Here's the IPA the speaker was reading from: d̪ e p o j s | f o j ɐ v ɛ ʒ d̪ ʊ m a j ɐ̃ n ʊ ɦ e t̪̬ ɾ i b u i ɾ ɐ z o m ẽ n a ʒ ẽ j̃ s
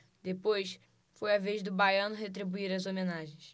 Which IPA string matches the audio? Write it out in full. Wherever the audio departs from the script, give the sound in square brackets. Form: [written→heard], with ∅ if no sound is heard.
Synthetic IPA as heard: d̪ e p o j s | f o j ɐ v [ɛ→e] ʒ d̪ ʊ [m→b] a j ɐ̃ n ʊ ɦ e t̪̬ ɾ i b u i ɾ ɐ z o m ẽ n a ʒ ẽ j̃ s